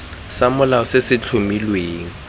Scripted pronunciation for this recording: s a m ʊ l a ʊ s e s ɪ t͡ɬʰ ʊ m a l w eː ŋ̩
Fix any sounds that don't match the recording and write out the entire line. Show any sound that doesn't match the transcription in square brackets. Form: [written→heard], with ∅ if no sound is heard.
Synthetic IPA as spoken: s a m ʊ l a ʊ s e s ɪ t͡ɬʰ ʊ m [a→i] l w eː ŋ̩